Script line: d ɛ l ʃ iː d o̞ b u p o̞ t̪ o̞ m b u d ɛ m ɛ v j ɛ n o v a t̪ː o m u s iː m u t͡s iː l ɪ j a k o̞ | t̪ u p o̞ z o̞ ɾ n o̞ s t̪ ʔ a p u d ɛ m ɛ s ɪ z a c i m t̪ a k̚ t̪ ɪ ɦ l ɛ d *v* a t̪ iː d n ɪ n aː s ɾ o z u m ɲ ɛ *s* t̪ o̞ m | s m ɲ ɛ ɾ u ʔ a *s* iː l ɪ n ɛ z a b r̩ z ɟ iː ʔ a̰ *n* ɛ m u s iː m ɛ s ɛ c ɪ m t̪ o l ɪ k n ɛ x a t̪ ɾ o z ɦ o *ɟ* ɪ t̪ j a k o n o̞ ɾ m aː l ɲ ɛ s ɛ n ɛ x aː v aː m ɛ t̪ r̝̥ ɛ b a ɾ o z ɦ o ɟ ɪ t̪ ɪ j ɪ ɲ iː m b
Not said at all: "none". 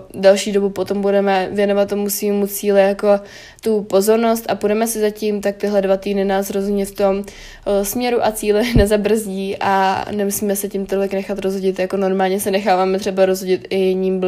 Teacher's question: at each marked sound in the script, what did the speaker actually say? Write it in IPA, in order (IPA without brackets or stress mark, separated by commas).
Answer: v, f, t͡s, n, ɟ